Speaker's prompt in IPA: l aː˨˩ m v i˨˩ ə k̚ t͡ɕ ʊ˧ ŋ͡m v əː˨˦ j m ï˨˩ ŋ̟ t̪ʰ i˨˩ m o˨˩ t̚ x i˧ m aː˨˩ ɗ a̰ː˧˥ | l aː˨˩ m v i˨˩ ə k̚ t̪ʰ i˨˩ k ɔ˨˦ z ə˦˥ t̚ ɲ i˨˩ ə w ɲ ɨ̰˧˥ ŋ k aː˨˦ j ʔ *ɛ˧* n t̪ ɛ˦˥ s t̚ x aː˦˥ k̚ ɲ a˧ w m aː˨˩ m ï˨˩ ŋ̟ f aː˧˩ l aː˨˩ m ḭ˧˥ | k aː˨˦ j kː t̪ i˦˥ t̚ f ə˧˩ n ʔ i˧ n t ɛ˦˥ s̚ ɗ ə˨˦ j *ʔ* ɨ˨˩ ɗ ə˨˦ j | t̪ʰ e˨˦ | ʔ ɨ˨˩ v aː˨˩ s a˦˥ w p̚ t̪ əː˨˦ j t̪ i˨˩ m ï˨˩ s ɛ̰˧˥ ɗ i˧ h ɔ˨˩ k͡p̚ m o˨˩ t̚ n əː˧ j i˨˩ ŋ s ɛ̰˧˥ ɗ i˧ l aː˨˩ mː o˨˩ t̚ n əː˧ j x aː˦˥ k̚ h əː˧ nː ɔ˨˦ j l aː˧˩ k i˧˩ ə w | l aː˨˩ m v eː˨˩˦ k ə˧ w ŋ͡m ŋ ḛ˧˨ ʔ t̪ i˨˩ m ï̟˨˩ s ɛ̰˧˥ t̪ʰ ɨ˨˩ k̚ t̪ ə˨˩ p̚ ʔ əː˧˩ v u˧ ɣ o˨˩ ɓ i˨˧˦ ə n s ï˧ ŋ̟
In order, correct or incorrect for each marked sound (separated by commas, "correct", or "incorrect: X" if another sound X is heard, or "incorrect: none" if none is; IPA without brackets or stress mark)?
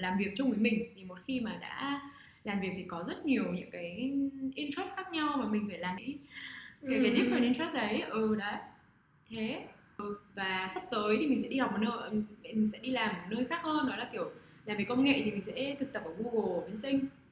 incorrect: i˧, correct